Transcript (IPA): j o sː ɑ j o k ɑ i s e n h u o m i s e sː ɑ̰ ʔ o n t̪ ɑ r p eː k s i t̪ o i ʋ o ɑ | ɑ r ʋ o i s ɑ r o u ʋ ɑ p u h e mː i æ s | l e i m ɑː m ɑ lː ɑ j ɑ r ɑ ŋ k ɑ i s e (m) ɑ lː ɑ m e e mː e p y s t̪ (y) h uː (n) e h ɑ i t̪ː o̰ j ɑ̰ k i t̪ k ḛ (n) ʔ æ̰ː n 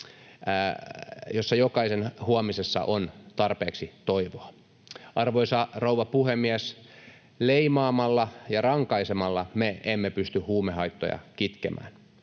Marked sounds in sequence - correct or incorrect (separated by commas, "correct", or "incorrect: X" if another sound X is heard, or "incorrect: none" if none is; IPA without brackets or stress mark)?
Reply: correct, correct, incorrect: m, incorrect: m